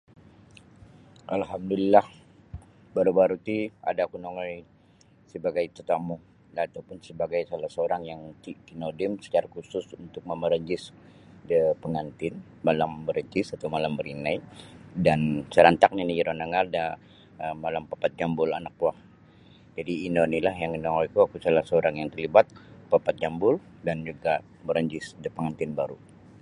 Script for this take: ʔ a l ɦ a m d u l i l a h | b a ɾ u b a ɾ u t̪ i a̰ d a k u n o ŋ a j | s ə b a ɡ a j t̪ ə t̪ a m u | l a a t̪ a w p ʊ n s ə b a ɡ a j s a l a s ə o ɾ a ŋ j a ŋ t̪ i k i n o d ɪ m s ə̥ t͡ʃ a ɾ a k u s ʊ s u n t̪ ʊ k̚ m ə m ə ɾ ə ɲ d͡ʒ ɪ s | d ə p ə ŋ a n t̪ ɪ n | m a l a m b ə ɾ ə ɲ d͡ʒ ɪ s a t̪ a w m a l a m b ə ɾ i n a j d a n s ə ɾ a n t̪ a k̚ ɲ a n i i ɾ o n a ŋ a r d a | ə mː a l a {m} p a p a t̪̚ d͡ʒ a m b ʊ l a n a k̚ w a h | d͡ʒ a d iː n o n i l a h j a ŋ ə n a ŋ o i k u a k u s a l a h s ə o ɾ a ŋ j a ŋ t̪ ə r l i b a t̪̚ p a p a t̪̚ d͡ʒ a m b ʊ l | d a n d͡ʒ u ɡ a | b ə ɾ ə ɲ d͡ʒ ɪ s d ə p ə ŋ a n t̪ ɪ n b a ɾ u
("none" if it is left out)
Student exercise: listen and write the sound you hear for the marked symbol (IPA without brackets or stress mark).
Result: m